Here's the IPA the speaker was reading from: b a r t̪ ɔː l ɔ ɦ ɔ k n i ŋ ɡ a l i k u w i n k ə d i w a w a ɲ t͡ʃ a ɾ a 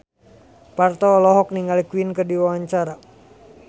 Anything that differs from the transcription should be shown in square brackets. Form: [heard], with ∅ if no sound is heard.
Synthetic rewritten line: [p] a r t̪ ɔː l ɔ ɦ ɔ k n i ŋ ɡ a l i k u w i n k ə d i w a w a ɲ t͡ʃ a ɾ a